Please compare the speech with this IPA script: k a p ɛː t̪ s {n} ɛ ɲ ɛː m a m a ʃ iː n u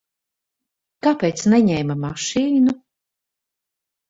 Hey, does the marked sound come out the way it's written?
yes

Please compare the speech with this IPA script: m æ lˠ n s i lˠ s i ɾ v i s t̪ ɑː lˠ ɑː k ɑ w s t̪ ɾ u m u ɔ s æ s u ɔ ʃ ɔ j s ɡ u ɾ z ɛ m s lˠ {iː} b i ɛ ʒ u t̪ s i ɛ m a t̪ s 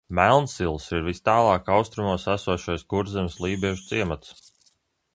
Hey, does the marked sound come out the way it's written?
yes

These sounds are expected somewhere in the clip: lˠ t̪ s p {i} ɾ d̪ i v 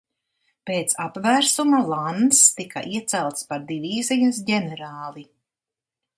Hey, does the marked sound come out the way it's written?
no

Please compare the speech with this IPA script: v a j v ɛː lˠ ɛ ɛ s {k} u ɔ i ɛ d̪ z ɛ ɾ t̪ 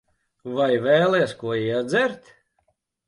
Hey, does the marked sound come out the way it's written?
yes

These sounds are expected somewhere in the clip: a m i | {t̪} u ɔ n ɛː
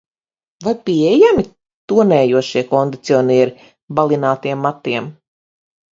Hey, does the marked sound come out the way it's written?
yes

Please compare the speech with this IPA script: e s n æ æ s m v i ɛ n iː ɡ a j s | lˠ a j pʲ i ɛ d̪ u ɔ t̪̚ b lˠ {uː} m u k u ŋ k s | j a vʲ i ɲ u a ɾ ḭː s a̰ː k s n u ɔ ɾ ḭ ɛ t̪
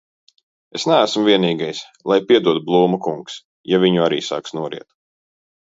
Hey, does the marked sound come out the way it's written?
yes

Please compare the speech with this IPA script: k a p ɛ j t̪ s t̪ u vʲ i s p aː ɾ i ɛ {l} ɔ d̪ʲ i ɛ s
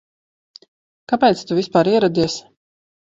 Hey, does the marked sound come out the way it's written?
no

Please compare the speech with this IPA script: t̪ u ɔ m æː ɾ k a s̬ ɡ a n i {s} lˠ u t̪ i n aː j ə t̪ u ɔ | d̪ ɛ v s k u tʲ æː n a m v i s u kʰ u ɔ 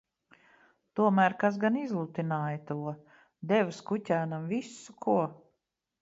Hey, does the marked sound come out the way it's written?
no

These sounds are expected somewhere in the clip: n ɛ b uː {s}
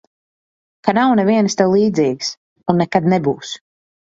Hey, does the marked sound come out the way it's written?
yes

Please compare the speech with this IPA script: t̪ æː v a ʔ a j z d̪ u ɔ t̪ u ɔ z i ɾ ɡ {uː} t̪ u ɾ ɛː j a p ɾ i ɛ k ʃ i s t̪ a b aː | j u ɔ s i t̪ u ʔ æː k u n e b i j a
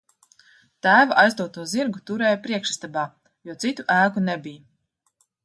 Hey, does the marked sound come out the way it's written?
no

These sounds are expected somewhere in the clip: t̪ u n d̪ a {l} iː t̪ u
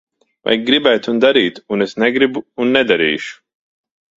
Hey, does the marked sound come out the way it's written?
no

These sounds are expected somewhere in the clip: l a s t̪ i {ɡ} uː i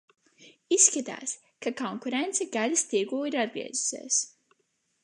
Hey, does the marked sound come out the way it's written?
yes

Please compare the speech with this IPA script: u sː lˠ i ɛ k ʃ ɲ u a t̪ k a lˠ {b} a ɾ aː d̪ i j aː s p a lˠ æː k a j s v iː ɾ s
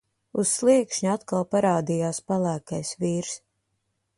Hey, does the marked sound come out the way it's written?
no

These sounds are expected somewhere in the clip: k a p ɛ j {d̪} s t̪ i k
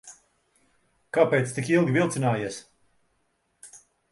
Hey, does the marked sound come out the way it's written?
no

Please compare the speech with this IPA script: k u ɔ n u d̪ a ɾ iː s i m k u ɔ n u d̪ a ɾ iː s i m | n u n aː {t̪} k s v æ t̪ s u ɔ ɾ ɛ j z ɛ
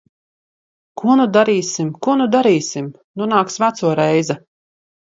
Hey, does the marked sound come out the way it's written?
no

